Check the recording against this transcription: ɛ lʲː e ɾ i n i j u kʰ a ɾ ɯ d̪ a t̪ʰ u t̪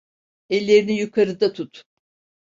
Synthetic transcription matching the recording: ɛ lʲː e ɾ i n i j u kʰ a ɾ ɯ d̪ a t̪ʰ u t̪

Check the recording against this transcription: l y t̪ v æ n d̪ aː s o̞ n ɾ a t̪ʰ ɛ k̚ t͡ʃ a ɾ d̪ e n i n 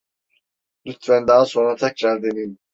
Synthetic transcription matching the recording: l y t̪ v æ n d̪ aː s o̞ n ɾ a t̪ʰ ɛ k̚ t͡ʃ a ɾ d̪ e n i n

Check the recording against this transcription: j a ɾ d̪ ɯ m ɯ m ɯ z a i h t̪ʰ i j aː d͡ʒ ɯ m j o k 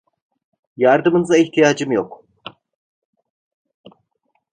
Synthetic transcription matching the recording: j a ɾ d̪ ɯ m ɯ n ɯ z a i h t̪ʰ i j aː d͡ʒ ɯ m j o k

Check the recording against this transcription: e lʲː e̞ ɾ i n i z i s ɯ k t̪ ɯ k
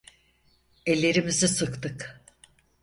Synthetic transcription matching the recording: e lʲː e̞ ɾ i m i z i s ɯ k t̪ ɯ k

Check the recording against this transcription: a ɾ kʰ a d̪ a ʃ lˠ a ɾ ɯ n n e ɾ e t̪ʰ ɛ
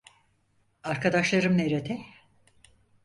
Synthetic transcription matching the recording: a ɾ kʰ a d̪ a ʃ lˠ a ɾ ɯ m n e ɾ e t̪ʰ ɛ

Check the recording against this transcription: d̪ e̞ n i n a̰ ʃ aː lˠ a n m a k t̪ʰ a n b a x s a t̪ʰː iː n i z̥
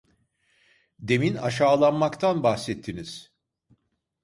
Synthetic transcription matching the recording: d̪ e̞ m i n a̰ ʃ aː lˠ a n m a k t̪ʰ a n b a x s ɛ t̪ʰː i n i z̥

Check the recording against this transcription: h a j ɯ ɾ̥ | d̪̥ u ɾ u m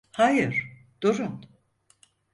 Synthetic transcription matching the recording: h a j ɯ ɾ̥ | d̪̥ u ɾ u n

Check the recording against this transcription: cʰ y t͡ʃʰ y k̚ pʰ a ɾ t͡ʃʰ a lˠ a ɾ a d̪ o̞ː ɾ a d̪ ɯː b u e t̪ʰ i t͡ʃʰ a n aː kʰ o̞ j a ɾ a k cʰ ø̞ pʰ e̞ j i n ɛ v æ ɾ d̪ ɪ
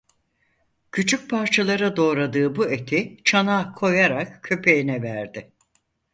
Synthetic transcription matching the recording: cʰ y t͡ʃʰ y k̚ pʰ a ɾ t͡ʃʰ a lˠ a ɾ a d̪ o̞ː ɾ a d̪ ɯː b u e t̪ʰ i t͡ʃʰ a n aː kʰ o̞ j a ɾ a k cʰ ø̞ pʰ e̞ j i n ɛ v æ ɾ d̪ ɪ

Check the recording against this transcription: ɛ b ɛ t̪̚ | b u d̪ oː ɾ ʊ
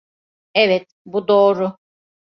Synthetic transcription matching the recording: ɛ v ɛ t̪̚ | b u d̪ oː ɾ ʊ

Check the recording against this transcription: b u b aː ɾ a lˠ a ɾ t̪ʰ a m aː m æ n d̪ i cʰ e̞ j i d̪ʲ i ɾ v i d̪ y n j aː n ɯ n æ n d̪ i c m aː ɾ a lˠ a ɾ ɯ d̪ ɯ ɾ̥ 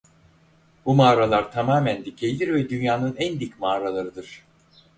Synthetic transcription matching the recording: b u m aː ɾ a lˠ a ɾ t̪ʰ a m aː m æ n d̪ i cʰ e̞ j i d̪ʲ i ɾ v ɛ d̪ y n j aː n ɯ n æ n d̪ i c m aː ɾ a lˠ a ɾ ɯ d̪ ɯ ɾ̥

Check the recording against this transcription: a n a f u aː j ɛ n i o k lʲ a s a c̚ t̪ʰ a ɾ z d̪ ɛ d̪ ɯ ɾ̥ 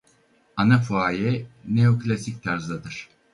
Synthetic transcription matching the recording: a n a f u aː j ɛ n e o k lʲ a s i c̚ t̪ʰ a ɾ z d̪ a d̪ ɯ ɾ̥

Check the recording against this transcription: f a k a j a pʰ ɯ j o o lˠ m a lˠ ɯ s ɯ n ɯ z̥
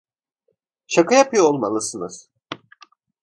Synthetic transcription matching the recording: ʃ a k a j a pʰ ɯ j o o lˠ m a lˠ ɯ s ɯ n ɯ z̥

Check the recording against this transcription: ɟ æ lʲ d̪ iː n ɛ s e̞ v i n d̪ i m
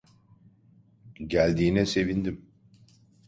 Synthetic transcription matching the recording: ɟ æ lʲ d̪ iː n ɛ s e̞ v i n d̪ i m

